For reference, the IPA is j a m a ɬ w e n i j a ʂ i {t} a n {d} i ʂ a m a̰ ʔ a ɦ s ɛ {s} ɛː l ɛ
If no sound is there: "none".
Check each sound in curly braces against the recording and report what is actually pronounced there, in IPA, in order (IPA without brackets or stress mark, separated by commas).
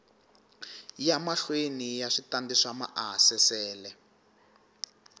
t, d, s